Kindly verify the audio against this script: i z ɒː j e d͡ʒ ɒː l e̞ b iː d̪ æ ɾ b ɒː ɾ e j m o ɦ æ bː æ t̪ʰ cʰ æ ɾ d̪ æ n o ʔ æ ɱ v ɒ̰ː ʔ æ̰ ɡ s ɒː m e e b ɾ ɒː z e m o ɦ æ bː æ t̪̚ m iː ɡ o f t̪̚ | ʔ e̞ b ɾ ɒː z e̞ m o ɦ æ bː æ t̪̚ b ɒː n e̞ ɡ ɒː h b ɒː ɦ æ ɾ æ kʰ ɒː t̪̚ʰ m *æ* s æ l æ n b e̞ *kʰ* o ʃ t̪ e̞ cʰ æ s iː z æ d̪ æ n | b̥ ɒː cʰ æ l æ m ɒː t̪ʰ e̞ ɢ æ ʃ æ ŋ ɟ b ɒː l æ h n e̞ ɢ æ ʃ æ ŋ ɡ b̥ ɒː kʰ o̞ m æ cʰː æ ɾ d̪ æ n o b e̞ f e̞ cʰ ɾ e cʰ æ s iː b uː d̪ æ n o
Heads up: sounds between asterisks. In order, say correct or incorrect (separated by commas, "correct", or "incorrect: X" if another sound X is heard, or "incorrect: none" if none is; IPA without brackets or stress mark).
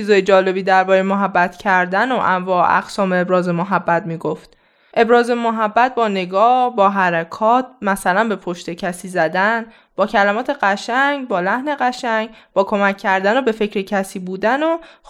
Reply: correct, incorrect: pʰ